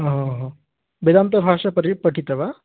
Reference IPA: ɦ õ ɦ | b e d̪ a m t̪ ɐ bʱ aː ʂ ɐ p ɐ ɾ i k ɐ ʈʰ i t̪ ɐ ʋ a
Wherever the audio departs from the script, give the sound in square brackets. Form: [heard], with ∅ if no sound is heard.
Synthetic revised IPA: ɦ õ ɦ | b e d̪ a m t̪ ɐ bʱ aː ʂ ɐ p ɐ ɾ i [p] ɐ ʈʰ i t̪ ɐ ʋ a